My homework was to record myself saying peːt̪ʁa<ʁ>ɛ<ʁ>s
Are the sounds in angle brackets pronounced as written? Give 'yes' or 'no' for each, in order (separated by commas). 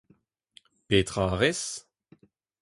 yes, no